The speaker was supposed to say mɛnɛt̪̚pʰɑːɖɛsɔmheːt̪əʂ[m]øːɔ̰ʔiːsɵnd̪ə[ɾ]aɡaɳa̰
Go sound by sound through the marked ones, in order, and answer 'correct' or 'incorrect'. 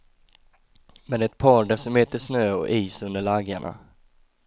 incorrect, incorrect

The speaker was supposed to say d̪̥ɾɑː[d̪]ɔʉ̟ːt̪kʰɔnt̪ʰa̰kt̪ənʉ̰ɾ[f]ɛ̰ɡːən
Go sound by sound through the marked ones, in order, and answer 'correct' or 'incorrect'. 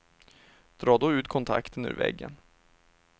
correct, incorrect

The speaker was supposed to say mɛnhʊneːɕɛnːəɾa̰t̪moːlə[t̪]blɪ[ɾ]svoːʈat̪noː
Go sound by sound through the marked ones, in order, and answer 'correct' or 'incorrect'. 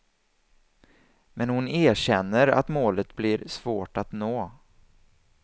correct, correct

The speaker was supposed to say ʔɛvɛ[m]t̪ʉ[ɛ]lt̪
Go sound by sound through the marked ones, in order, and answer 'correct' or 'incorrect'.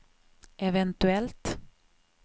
incorrect, correct

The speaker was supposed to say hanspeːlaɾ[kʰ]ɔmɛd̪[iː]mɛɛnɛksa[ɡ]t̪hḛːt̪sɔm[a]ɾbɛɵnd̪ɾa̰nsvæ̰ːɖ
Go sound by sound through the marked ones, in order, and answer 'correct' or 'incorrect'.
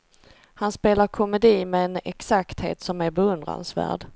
correct, correct, incorrect, incorrect

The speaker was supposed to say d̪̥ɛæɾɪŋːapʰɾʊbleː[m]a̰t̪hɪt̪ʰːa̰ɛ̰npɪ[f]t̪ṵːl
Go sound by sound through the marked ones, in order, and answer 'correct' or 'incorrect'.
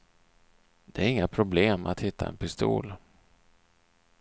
correct, incorrect

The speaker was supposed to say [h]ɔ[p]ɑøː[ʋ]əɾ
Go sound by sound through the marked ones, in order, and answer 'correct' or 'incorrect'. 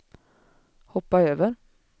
correct, correct, correct

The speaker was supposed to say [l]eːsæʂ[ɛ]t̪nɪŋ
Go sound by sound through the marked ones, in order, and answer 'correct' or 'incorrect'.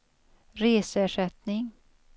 incorrect, correct

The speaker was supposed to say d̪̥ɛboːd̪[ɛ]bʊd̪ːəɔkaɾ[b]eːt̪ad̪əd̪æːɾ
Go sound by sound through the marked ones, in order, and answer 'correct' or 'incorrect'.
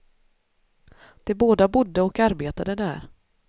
incorrect, correct

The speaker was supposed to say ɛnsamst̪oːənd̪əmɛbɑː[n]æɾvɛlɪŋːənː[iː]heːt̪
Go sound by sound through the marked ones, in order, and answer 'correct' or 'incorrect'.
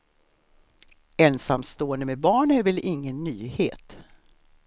incorrect, incorrect

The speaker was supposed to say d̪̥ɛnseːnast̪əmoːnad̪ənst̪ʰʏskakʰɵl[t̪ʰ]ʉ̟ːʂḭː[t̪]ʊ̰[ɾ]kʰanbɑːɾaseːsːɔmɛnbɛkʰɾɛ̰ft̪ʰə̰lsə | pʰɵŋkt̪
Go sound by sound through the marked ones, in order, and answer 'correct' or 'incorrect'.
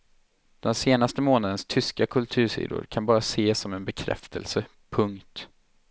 correct, incorrect, correct

